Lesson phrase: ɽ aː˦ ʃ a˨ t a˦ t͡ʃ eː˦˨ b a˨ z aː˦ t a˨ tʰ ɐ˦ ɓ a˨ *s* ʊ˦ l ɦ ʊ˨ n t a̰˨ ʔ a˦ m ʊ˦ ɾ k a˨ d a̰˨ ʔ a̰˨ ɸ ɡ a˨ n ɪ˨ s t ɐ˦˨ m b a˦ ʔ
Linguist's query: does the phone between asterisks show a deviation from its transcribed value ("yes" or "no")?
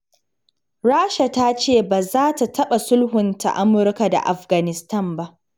no